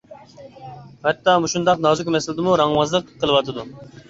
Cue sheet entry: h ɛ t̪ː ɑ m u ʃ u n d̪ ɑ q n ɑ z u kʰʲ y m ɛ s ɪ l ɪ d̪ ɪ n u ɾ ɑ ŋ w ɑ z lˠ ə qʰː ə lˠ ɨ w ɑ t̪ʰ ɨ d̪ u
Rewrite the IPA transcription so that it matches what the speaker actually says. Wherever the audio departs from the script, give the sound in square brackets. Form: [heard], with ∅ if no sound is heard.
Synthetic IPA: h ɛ t̪ː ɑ m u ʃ u n d̪ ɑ q n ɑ z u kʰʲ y m ɛ s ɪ l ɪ d̪ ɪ [m] u ɾ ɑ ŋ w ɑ z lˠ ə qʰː ə lˠ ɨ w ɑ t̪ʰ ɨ d̪ u